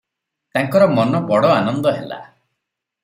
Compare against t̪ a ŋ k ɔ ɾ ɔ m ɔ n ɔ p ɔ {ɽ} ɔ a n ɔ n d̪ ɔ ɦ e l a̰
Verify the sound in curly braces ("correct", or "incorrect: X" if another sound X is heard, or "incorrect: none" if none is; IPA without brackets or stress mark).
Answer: correct